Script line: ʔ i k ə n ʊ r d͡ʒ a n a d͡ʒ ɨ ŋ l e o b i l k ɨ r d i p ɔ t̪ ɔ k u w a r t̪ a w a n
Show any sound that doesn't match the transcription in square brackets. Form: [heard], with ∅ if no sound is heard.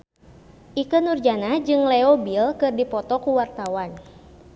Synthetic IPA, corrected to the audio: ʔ i k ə n [u] r d͡ʒ a n a d͡ʒ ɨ ŋ l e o b i l k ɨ r d i p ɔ t̪ ɔ k u w a r t̪ a w a n